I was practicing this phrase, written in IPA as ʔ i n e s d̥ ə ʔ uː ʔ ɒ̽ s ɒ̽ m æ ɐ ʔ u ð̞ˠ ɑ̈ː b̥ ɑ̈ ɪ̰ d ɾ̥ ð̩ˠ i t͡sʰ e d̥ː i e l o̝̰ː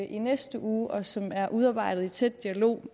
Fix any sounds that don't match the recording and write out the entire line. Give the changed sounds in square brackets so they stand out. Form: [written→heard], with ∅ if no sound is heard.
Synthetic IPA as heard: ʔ i n e s d̥ ə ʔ uː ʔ ɒ̽ s ɒ̽ m æ ɐ ʔ u ð̞ˠ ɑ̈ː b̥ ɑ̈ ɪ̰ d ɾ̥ ð̩ˠ i t͡sʰ e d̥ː i [e→æ] l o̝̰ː

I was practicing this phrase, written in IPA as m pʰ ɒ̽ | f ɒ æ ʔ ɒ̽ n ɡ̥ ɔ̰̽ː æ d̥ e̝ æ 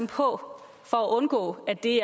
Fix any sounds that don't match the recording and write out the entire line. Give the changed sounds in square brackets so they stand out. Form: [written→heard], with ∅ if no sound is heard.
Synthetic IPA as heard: m pʰ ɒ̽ | f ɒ æ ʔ [ɒ̽→ɔ̽] n ɡ̥ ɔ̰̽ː æ d̥ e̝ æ

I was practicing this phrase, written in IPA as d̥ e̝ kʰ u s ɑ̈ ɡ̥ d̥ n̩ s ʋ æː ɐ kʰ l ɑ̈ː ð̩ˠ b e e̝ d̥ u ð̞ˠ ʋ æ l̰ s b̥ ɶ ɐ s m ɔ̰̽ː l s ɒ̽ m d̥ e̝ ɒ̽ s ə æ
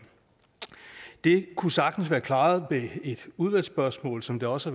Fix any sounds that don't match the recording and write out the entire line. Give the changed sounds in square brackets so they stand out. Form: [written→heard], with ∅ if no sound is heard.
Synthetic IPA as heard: d̥ e̝ kʰ u s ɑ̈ ɡ̥ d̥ n̩ s ʋ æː ɐ kʰ l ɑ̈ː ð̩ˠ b e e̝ d̥ u ð̞ˠ ʋ æ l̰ s b̥ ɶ ɐ s m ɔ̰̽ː l s ɒ̽ m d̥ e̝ ɒ̽ s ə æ

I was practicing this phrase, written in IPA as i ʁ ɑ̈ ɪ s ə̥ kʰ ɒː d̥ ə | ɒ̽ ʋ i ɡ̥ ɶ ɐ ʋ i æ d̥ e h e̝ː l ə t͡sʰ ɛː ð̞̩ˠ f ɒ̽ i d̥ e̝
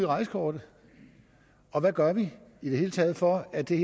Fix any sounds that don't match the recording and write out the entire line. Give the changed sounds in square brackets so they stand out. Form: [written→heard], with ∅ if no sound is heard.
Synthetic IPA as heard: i ʁ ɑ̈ ɪ s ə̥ kʰ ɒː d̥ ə | ɒ̽ ʋ [i→æ] ɡ̥ ɶ ɐ ʋ i [æ→i] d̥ e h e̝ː l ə t͡sʰ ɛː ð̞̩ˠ f ɒ̽ [i→æ] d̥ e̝

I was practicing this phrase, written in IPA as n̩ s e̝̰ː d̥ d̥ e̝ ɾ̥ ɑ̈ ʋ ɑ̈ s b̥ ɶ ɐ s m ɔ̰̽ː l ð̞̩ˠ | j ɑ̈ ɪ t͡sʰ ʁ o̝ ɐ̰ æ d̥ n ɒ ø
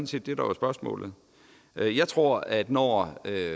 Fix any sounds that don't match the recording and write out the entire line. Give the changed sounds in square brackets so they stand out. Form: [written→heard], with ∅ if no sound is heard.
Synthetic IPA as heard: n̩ s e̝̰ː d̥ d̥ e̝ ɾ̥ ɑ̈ ʋ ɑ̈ s b̥ ɶ ɐ s m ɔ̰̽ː l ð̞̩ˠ | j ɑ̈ ɪ t͡sʰ ʁ o̝ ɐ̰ æ d̥ n ɒ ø

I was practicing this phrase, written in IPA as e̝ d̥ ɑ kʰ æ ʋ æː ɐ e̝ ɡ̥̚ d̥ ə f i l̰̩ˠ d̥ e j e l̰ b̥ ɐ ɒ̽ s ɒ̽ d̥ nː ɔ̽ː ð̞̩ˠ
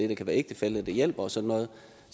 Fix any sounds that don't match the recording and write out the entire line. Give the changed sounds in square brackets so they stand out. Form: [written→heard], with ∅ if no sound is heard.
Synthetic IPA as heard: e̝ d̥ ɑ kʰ æ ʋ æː ɐ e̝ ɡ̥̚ d̥ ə f [i→e] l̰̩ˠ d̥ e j e l̰ b̥ ɐ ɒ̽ s ɒ̽ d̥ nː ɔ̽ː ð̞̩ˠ

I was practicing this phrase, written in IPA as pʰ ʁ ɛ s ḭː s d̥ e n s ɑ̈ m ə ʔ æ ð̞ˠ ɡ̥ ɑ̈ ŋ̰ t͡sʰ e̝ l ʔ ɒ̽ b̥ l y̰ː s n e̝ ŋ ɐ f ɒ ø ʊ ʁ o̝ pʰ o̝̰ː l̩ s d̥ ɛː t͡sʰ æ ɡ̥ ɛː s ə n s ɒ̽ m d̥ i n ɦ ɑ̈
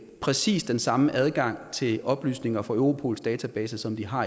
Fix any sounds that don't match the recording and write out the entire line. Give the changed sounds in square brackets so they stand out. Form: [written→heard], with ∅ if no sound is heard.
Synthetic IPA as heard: pʰ ʁ ɛ s ḭː s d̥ e n s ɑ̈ m ə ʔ æ ð̞ˠ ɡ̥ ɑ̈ ŋ̰ t͡sʰ e̝ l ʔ ɒ̽ b̥ l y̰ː s n e̝ ŋ ɐ f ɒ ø ʊ ʁ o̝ pʰ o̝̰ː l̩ s d̥ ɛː t͡sʰ æ [ɡ̥→b̥] ɛː s ə [n→∅] s ɒ̽ m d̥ i [n→∅] ɦ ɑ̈

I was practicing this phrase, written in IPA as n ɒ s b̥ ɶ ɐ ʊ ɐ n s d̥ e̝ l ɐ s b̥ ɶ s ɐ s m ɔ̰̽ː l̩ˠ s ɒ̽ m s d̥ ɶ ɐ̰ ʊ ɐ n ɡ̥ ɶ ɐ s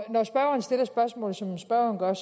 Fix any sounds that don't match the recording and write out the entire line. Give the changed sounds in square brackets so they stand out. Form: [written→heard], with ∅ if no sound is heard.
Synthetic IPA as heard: n ɒ s b̥ ɶ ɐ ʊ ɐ n s d̥ e̝ l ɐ s b̥ ɶ [s→∅] ɐ s m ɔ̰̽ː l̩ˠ s ɒ̽ m s [d̥→b̥] ɶ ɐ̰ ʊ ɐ n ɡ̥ ɶ ɐ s

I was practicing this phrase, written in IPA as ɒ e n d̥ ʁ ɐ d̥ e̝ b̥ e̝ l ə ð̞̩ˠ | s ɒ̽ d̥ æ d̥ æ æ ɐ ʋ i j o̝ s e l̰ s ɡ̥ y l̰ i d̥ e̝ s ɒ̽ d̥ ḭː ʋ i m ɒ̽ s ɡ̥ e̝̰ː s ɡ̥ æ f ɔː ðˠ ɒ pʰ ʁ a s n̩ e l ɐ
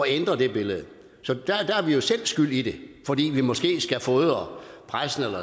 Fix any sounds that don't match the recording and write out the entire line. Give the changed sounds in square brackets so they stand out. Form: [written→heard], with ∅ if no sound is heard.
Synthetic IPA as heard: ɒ e n d̥ ʁ ɐ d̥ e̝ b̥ e̝ l ə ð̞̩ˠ | s ɒ̽ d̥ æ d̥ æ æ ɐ ʋ i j o̝ s e l̰ s ɡ̥ y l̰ i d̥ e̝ [s→f] ɒ̽ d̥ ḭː ʋ i m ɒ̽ s ɡ̥ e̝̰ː s ɡ̥ æ f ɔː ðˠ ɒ pʰ ʁ a s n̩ e l ɐ

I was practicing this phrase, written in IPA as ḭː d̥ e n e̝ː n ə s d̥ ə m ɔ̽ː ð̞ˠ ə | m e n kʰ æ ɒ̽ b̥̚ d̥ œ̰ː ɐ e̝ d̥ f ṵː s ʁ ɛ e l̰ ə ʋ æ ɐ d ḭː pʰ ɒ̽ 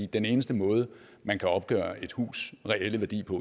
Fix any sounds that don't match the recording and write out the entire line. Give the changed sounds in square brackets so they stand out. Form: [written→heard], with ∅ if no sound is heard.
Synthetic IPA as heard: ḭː d̥ e n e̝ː n ə s d̥ ə m ɔ̽ː ð̞ˠ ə | m [e→æ] n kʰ æ ɒ̽ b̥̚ [d̥→ɡ̥] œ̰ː ɐ e̝ d̥ [f→h] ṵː s ʁ ɛ e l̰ ə ʋ æ ɐ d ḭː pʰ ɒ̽

